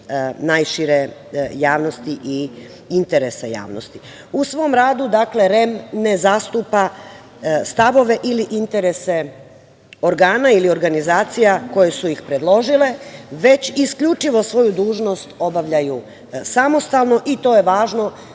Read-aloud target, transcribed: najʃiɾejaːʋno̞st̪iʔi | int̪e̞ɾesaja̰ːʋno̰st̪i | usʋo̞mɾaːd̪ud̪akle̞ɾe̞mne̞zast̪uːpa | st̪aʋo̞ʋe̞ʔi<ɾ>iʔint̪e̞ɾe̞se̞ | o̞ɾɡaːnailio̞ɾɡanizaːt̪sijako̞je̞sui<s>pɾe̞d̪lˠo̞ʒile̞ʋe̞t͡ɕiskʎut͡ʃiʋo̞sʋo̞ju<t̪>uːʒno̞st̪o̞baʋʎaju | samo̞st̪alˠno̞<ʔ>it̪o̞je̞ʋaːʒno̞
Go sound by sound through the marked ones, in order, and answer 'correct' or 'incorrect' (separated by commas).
incorrect, incorrect, incorrect, correct